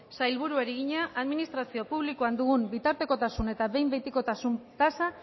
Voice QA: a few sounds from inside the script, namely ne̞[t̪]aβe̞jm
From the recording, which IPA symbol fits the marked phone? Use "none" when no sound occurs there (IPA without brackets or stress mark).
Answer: t̪